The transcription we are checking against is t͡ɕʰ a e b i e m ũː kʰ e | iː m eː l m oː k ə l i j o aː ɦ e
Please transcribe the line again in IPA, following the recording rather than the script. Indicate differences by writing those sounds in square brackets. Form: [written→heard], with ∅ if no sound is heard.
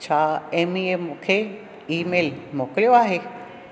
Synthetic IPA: t͡ɕʰ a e [b→m] i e m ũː kʰ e | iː m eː l m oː k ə l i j o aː ɦ e